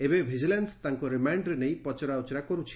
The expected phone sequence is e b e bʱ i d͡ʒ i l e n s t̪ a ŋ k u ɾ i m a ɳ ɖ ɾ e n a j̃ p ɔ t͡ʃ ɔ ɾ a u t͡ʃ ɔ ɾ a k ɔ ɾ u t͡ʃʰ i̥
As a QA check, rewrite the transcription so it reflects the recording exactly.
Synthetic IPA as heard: e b e bʱ i d͡ʒ i l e n s t̪ a ŋ k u ɾ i m a ɳ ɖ ɾ e n e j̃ p ɔ t͡ʃ ɔ ɾ a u t͡ʃ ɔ ɾ a k ɔ ɾ u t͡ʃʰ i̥